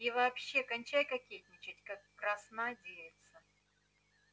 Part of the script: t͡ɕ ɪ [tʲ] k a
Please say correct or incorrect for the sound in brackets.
correct